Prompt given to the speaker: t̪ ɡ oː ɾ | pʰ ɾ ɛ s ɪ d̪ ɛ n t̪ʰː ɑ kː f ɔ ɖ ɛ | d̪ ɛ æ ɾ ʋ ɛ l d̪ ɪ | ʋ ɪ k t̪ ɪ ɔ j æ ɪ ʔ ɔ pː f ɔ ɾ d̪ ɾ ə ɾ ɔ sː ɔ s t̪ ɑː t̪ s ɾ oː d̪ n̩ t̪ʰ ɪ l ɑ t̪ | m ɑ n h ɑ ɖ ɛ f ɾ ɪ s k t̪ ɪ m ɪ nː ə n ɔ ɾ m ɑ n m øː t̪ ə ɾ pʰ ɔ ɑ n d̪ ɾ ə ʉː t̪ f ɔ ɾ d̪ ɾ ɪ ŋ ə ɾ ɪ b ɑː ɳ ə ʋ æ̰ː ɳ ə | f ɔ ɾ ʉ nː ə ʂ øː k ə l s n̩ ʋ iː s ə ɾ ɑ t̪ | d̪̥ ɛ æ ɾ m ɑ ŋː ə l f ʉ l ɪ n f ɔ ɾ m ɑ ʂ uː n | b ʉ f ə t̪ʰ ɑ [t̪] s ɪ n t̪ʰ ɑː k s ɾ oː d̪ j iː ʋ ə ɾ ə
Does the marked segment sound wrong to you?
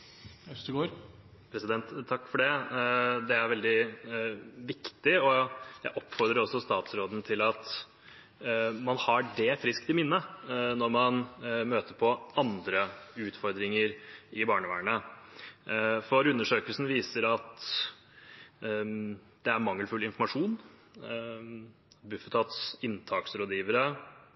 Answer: no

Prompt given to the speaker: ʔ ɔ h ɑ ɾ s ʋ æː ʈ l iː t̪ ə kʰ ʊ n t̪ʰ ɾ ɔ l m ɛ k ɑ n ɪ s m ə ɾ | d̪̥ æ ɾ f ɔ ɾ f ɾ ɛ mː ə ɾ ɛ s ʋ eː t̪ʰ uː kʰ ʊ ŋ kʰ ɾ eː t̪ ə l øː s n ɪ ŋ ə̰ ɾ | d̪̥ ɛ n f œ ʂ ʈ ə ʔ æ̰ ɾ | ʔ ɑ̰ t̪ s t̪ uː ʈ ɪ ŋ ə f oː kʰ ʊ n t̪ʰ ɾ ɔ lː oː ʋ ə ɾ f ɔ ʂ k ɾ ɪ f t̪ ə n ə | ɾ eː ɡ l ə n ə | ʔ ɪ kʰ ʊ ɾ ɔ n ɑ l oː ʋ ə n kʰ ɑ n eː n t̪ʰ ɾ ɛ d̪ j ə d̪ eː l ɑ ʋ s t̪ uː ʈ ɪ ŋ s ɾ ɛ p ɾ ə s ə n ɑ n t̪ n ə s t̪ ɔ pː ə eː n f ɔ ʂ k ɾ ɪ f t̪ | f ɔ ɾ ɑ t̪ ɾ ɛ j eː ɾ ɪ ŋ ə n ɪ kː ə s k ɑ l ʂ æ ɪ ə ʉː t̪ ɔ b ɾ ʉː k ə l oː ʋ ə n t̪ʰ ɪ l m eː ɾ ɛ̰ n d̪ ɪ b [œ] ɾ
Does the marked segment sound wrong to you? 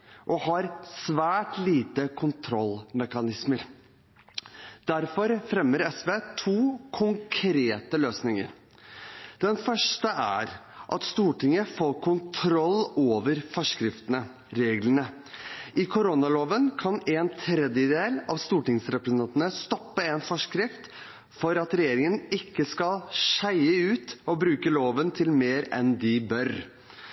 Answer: no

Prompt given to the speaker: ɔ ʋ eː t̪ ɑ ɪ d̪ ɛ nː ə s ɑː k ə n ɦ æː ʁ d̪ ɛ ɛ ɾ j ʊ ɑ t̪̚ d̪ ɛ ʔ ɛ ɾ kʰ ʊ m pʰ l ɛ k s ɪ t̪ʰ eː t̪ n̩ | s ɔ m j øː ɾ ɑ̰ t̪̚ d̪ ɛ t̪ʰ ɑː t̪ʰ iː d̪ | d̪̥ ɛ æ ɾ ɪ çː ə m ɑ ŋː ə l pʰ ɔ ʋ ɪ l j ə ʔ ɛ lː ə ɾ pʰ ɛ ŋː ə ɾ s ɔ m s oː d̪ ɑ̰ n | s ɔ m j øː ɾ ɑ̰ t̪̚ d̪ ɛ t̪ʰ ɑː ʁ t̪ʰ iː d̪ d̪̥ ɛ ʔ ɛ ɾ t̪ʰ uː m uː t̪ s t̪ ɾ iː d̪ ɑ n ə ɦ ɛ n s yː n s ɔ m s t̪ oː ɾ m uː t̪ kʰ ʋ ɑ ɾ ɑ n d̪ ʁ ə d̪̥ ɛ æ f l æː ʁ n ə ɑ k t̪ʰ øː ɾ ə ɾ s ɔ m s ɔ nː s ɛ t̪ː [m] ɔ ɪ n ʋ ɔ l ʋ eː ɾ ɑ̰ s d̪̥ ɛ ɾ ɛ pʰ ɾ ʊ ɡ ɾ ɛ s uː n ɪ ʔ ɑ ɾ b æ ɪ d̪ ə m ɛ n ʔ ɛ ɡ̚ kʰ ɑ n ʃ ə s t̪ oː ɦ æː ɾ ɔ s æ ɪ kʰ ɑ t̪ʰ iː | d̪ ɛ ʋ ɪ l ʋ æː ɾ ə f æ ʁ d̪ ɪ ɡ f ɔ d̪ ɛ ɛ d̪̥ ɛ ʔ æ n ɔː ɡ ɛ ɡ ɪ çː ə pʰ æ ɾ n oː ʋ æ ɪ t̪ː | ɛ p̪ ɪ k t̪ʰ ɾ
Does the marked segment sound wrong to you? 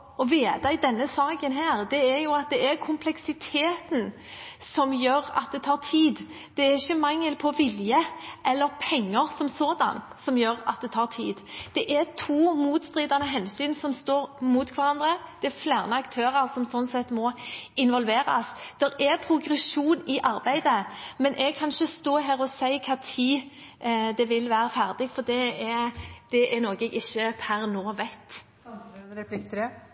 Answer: no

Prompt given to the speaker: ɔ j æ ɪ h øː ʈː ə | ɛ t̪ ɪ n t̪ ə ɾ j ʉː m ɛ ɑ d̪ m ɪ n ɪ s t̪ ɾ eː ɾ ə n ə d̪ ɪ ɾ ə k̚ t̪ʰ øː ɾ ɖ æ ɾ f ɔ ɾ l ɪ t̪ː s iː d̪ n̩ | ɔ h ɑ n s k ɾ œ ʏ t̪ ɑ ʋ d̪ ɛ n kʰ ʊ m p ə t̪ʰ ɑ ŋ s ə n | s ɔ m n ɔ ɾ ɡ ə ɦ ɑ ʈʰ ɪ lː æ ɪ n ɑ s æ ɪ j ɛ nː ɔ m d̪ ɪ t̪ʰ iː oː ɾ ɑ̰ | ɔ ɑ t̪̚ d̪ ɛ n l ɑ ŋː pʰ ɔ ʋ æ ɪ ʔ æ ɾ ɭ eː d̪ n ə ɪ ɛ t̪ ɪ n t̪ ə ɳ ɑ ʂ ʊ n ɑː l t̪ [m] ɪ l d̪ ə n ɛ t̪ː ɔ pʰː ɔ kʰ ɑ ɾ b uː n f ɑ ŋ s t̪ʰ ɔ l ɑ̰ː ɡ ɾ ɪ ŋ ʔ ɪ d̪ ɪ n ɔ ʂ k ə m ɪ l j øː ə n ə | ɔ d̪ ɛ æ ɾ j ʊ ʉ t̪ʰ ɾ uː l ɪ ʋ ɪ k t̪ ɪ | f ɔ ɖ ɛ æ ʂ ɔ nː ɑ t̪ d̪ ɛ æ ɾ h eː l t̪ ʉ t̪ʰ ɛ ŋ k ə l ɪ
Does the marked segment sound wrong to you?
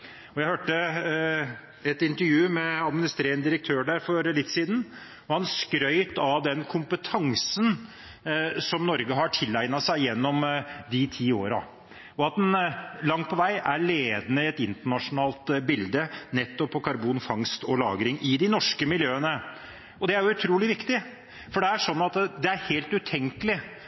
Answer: yes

